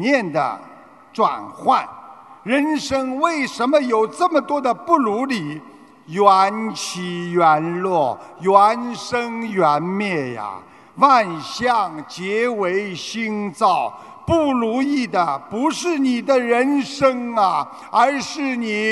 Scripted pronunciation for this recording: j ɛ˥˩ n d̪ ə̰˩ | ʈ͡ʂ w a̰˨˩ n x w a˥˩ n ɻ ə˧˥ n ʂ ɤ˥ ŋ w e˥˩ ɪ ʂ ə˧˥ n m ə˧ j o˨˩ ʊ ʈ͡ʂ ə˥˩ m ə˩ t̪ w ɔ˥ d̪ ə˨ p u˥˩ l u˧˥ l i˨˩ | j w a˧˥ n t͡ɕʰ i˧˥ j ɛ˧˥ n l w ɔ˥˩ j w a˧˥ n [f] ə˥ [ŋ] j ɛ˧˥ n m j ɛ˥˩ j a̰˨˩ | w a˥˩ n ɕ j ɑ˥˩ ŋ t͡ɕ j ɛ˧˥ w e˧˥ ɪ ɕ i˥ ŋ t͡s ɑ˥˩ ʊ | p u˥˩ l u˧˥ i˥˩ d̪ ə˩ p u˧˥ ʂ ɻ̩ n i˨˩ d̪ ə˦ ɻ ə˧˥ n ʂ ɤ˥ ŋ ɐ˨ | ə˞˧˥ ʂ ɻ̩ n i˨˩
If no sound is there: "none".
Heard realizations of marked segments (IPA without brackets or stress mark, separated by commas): ʂ, ŋ